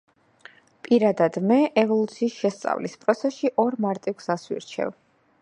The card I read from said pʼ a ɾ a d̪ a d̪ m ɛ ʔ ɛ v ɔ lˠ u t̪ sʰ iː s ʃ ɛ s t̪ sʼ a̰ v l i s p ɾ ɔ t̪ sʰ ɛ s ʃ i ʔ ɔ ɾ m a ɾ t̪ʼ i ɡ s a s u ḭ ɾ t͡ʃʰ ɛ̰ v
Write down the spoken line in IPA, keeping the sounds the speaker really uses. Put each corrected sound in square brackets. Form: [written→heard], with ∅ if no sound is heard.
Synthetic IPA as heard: pʼ [a→i] ɾ a d̪ a d̪ m ɛ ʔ ɛ v ɔ lˠ u t̪ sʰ iː s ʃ ɛ s t̪ sʼ a̰ v l i s [p→pʼ] ɾ ɔ t̪ sʰ ɛ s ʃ i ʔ ɔ ɾ m a ɾ t̪ʼ i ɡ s a s [u→w] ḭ ɾ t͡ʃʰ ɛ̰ v